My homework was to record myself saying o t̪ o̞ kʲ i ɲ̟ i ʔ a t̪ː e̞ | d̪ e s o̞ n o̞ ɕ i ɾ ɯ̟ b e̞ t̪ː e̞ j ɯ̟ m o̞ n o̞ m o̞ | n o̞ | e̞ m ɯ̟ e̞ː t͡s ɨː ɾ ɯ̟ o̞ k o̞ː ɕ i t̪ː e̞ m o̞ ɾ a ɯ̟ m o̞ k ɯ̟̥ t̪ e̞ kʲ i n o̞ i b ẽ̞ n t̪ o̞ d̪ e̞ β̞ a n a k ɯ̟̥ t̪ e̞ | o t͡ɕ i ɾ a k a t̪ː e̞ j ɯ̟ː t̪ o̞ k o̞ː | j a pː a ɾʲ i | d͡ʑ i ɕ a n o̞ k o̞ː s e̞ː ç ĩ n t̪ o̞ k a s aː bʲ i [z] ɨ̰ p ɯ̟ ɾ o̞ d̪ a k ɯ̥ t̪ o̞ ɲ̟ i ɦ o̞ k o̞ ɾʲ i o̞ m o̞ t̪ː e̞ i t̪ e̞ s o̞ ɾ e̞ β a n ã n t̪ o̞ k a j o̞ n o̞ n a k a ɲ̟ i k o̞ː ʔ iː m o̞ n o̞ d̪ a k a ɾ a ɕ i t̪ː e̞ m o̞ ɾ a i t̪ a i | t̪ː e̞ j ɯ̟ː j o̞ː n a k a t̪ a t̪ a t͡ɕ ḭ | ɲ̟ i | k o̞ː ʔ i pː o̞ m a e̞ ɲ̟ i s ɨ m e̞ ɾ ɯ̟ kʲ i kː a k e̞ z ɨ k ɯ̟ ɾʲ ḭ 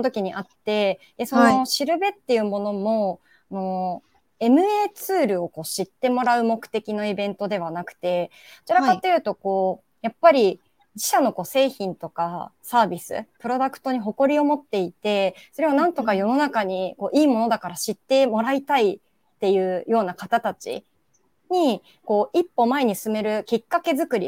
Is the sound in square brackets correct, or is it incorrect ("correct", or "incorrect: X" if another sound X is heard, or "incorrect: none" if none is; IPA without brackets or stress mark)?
incorrect: s